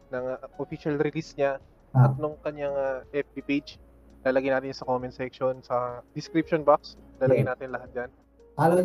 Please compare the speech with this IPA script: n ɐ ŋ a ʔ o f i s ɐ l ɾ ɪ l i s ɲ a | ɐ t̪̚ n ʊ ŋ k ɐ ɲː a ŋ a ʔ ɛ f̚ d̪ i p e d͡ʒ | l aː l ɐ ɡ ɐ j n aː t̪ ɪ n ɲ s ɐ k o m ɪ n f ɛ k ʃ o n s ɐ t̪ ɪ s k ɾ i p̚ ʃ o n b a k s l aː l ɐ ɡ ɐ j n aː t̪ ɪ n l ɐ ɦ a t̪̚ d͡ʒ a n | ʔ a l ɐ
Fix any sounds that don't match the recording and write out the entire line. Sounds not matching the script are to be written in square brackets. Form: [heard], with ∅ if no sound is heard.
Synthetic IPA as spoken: n ɐ ŋ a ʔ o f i [ʃ] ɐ l ɾ ɪ l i s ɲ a | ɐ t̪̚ n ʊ ŋ k ɐ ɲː a ŋ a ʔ ɛ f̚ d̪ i p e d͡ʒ | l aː l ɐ ɡ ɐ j n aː t̪ ɪ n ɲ s ɐ k o m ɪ n [s] ɛ k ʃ o n s ɐ [d̪] ɪ s k ɾ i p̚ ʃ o n b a k s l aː l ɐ ɡ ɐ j n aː t̪ ɪ n l ɐ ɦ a t̪̚ d͡ʒ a n | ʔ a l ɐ